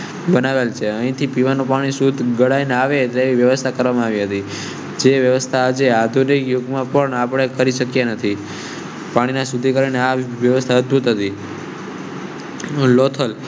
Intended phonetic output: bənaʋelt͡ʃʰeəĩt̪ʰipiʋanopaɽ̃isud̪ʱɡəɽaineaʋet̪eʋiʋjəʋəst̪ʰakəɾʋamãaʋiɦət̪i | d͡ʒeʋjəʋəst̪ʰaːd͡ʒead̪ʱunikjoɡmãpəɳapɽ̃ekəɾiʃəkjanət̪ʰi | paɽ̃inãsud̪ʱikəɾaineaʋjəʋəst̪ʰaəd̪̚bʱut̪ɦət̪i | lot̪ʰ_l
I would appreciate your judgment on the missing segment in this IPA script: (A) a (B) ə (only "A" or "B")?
B